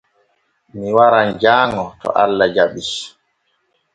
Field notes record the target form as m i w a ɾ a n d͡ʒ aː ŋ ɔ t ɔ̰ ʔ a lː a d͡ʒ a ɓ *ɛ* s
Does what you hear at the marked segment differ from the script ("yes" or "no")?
yes